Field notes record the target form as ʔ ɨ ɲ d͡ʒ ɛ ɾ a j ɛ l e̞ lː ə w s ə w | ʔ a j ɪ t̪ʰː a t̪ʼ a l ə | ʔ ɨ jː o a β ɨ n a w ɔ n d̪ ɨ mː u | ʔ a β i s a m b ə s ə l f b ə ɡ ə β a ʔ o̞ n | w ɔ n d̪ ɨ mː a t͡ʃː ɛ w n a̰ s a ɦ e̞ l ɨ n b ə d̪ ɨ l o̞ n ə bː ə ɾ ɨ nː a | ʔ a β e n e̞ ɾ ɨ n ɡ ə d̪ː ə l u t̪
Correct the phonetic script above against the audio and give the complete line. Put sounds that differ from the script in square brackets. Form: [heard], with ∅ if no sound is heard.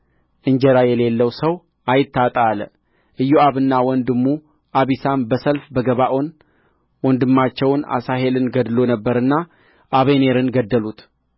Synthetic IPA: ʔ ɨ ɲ d͡ʒ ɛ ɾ a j ɛ l e̞ lː ə w s ə w | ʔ a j ɪ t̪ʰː a t̪ʼ a l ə | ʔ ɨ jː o a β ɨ [nː] a w ɔ n d̪ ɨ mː u | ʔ a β i s a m b ə s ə l f b ə ɡ ə β a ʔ o̞ n | w ɔ n d̪ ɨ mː a t͡ʃː ɛ w n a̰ s a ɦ e̞ l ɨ n [ɡ] ə d̪ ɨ l o̞ n ə bː ə ɾ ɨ nː a | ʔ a β e n e̞ ɾ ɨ n ɡ ə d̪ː ə l u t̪